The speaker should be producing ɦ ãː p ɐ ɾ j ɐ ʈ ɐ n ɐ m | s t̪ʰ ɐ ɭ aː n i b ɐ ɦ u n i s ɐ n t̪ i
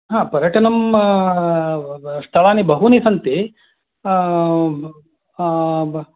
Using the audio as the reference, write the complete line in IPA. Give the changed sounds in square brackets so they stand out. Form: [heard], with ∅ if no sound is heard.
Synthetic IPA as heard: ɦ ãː p ɐ ɾ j ɐ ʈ ɐ n ɐ m | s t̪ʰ ɐ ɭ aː n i b ɐ ɦ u n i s ɐ n t̪ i